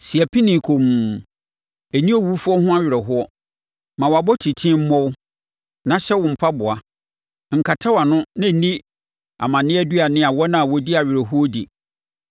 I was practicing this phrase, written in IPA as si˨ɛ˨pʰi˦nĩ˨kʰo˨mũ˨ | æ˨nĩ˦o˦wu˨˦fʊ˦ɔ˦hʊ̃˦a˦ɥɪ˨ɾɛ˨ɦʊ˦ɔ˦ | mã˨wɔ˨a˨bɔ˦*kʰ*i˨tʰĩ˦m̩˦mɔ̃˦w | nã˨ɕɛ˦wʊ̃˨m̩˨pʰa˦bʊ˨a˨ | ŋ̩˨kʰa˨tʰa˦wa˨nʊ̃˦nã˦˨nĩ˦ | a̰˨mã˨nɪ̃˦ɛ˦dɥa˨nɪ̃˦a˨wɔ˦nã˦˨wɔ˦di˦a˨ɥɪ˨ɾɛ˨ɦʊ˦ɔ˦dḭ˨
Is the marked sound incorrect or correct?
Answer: incorrect: tʰ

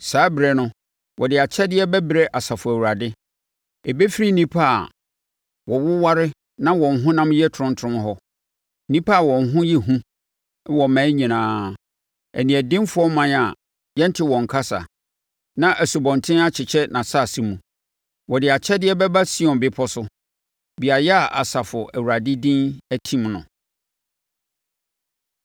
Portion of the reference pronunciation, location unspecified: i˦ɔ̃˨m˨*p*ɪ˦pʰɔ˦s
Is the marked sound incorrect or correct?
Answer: incorrect: b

